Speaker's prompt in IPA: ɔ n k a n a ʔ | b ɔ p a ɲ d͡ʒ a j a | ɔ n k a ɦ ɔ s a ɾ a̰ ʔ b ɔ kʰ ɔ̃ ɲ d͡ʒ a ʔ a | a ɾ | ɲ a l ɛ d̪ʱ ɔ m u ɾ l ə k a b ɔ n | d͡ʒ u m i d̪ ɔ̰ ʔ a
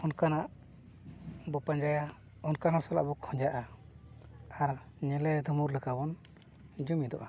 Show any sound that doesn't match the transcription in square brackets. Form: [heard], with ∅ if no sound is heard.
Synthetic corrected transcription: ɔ n k a n a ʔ | b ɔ p a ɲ d͡ʒ a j a | ɔ n k a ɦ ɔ s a [l] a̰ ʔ b ɔ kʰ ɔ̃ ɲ d͡ʒ a ʔ a | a ɾ | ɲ [ɛ] l ɛ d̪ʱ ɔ m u ɾ l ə k a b ɔ n | d͡ʒ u m i d̪ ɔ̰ ʔ a